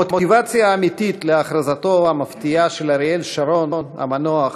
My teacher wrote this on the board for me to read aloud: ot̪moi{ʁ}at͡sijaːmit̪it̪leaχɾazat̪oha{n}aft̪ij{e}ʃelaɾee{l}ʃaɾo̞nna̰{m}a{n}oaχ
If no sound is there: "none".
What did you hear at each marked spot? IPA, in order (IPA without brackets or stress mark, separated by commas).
v, m, a, l, m, n